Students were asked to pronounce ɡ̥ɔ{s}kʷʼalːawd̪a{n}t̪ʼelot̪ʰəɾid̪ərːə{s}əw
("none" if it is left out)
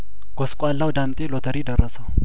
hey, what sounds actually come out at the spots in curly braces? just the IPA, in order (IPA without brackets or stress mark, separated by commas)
s, m, s